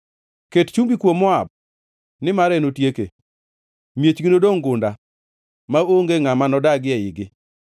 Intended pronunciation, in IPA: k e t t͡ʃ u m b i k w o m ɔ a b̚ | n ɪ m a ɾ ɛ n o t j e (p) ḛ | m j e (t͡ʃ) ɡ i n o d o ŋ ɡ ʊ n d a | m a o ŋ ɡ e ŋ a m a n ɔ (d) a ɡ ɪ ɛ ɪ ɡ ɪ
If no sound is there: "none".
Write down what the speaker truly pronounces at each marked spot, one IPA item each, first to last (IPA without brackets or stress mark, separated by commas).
k, t͡ʃ, d